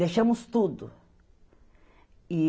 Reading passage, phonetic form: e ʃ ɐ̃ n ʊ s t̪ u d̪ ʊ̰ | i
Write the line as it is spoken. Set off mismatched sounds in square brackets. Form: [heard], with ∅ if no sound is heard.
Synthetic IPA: e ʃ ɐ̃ [m] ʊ s t̪ u d̪ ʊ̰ | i